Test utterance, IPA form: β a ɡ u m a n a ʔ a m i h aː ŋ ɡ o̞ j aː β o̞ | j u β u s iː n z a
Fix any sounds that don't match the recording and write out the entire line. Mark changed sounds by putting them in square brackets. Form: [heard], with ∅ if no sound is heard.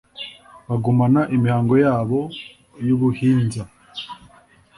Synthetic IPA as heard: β a ɡ u m a n a ʔ [i] m i h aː ŋ ɡ o̞ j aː β o̞ | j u β u [h] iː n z a